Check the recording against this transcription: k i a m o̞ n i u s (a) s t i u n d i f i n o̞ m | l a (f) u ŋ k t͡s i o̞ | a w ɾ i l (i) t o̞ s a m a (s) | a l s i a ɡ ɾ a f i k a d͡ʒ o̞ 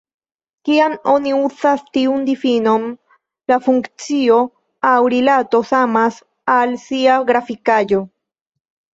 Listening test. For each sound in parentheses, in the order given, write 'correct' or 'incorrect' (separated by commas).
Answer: correct, correct, incorrect, correct